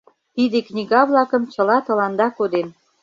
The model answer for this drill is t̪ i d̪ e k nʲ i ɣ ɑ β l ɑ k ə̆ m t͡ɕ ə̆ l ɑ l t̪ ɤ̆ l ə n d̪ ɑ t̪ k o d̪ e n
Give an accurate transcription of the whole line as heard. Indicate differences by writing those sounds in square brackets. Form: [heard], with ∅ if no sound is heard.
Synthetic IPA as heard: t̪ i d̪ e k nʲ i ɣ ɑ β l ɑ k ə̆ m t͡ɕ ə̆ l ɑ [∅] t̪ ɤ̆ l [ɑ] n d̪ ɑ [∅] k o d̪ e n